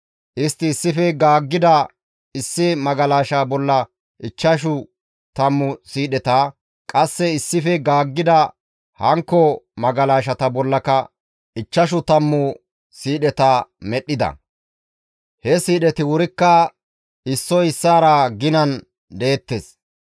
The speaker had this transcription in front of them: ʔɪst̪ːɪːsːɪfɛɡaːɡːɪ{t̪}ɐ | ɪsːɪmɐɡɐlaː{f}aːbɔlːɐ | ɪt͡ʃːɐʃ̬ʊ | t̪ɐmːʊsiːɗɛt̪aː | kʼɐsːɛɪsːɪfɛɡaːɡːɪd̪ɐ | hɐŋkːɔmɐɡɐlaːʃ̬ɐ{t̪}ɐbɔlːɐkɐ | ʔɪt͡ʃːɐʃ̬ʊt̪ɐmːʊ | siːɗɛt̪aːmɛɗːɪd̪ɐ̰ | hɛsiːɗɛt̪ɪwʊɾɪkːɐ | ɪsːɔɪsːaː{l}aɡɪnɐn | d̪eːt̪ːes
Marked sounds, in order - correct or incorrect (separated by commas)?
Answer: incorrect, incorrect, correct, incorrect